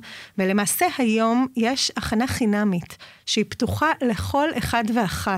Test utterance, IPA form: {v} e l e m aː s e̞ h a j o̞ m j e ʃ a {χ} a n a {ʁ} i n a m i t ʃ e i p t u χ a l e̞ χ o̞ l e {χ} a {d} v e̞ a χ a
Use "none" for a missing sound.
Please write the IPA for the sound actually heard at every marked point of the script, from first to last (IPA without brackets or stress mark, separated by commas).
v, χ, χ, χ, d